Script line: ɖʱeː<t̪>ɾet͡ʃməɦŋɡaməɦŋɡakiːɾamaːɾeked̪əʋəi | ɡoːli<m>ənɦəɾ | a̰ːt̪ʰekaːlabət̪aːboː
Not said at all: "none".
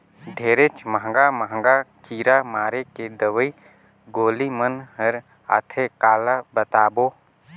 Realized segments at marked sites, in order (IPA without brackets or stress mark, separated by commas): none, m